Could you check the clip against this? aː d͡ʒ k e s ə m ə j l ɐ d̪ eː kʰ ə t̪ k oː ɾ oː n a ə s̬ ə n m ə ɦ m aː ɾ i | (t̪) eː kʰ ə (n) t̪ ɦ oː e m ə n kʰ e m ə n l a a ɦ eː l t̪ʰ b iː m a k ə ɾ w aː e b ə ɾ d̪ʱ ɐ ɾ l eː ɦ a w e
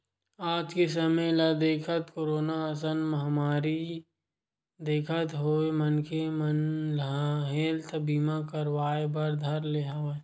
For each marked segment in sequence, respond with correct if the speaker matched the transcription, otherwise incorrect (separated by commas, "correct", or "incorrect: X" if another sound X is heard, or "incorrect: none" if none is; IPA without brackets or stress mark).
incorrect: d̪, incorrect: none